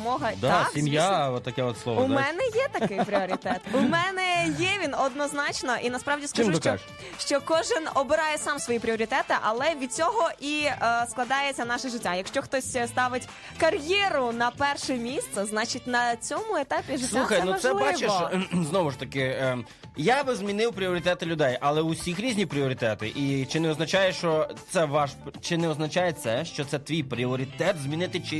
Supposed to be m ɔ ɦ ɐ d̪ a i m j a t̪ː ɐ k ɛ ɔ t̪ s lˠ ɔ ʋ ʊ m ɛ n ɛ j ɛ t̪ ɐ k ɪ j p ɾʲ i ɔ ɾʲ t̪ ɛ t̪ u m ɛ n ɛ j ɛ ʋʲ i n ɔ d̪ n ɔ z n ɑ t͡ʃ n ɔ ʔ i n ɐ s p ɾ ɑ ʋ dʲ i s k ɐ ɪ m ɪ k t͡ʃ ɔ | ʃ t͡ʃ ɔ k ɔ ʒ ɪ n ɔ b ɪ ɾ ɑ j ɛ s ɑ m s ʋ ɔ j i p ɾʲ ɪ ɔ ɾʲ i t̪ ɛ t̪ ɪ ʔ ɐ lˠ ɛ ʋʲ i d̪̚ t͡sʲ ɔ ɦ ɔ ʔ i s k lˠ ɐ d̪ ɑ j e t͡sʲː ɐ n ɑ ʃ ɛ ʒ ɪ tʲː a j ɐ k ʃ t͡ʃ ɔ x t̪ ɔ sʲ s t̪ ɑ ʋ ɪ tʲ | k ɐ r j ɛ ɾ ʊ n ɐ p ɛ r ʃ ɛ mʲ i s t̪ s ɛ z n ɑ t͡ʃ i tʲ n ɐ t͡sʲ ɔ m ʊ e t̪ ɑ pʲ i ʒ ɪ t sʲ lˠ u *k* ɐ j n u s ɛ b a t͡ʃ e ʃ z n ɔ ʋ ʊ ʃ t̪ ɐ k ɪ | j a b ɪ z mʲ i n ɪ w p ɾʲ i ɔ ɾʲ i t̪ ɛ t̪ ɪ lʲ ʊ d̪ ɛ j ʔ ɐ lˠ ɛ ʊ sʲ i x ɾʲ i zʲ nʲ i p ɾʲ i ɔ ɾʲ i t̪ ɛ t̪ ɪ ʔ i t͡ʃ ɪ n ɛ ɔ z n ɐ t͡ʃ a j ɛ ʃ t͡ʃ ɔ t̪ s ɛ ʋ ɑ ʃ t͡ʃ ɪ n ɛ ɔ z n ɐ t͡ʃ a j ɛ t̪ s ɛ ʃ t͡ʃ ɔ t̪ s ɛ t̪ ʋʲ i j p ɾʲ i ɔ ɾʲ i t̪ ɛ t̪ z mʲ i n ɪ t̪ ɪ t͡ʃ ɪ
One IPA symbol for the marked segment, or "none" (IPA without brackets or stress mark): x